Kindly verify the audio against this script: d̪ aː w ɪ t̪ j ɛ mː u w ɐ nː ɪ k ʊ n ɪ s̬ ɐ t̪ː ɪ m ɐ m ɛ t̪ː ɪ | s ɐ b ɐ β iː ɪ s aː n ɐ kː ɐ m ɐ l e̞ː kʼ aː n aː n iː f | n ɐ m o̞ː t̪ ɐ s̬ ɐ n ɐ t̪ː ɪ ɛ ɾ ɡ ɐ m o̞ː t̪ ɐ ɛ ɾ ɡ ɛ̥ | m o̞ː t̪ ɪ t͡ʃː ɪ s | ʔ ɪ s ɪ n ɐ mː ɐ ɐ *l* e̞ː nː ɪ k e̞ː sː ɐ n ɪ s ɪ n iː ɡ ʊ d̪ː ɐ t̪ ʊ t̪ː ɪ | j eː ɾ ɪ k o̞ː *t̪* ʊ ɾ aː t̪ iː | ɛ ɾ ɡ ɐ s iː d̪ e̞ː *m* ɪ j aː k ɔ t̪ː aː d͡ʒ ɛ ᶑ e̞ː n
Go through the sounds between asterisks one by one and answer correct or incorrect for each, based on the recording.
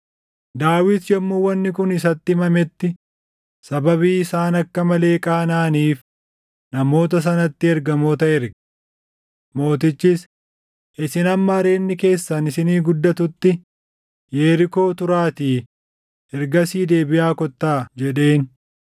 incorrect, correct, incorrect

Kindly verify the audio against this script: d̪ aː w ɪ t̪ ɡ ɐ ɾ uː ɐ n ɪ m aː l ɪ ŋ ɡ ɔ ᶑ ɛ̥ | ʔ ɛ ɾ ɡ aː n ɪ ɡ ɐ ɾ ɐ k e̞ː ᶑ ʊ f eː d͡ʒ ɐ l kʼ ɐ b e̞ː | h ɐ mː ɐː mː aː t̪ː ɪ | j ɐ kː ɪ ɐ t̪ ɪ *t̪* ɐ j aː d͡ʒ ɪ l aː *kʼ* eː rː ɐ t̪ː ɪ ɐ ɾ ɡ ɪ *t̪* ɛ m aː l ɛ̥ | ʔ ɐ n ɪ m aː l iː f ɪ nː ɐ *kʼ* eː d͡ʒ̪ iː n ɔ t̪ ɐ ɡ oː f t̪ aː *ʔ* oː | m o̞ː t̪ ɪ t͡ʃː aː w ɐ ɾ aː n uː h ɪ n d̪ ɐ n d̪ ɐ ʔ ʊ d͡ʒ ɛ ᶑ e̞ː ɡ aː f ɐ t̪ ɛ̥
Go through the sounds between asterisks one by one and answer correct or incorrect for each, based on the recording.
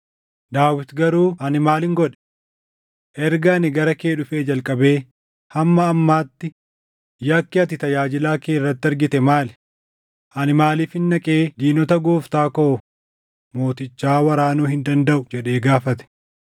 correct, incorrect, correct, correct, incorrect

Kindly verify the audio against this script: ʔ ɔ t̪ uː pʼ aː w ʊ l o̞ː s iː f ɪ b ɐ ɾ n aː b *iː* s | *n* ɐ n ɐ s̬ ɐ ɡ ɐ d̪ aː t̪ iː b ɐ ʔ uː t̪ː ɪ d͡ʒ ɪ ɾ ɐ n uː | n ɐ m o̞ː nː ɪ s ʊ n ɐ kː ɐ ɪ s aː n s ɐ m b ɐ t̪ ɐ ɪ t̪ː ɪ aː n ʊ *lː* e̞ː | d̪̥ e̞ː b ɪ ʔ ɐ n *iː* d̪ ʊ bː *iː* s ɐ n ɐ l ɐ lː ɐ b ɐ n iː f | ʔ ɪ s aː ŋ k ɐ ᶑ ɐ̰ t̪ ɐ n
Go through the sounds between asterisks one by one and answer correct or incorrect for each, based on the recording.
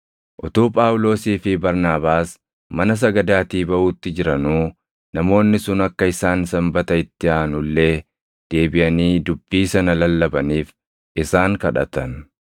incorrect, incorrect, correct, correct, correct

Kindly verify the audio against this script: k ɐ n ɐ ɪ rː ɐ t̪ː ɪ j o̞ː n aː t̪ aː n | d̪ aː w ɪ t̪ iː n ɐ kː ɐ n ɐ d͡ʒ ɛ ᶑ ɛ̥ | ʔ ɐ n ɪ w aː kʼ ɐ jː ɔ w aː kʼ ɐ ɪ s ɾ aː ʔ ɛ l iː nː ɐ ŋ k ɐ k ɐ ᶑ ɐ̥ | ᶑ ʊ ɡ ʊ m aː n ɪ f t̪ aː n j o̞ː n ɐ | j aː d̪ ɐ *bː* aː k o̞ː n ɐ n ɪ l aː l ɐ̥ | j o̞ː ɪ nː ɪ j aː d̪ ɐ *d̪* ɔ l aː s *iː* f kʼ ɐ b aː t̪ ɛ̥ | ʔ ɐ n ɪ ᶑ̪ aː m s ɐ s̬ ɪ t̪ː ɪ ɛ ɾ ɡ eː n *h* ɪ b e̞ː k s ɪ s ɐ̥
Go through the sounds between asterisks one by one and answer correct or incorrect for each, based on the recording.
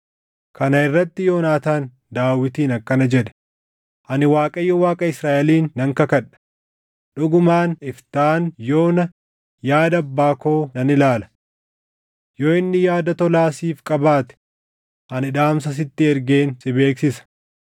correct, incorrect, correct, incorrect

